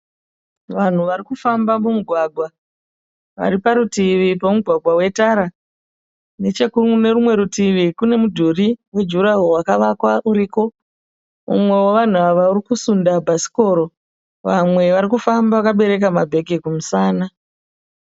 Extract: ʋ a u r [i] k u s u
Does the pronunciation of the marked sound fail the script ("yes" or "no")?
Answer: no